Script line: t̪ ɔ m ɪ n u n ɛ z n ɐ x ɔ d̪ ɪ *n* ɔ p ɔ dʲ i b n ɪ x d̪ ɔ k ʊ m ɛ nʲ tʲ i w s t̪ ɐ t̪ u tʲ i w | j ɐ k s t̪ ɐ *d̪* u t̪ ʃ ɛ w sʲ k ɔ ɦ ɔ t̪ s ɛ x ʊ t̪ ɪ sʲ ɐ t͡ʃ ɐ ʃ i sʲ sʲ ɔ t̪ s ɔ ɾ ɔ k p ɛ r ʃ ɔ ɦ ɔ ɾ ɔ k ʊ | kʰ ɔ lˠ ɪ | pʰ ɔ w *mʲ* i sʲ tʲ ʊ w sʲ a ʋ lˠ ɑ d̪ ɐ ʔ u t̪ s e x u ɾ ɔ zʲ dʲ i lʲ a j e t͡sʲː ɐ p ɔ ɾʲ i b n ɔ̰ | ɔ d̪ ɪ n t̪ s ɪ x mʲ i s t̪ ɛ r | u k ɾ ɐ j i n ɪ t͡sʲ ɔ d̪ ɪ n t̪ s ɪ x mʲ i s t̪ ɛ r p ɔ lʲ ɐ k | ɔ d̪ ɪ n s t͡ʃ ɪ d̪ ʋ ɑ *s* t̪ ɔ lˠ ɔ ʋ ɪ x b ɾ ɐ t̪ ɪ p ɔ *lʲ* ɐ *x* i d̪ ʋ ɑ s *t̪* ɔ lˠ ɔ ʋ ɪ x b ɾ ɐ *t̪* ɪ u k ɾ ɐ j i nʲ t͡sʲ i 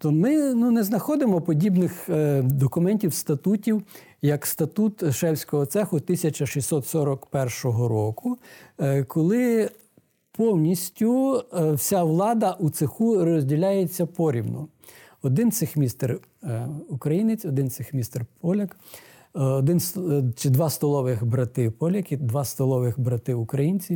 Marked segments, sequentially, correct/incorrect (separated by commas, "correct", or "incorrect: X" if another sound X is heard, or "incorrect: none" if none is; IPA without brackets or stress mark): incorrect: m, incorrect: t̪, incorrect: nʲ, correct, correct, incorrect: k, correct, correct